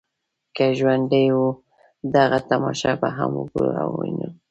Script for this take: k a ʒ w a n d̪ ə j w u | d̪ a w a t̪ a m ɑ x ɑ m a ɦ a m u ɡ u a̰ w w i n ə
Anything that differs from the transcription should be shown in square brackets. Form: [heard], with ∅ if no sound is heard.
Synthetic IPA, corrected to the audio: k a ʒ w a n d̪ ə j w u | d̪ a [ɣ] a t̪ a m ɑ [ʃ] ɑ [b] a ɦ a m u ɡ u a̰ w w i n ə